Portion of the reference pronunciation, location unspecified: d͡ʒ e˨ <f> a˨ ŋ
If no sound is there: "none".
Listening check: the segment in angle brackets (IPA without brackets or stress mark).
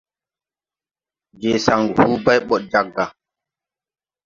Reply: s